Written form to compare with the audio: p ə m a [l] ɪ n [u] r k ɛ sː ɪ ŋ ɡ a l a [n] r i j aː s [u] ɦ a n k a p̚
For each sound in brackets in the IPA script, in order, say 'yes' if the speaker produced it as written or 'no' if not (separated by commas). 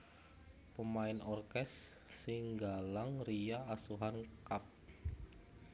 no, no, no, yes